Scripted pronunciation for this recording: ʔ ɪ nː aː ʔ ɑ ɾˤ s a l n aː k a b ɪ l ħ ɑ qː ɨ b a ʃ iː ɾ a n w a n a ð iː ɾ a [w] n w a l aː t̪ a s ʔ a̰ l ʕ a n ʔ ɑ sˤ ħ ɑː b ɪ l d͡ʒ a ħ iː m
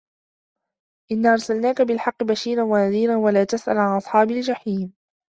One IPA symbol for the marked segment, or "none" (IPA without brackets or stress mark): none